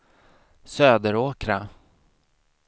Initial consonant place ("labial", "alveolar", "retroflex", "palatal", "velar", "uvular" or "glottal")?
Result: alveolar